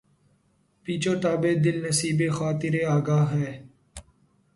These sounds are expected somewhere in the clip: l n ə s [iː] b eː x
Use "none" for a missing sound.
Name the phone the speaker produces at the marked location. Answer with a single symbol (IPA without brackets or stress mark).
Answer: iː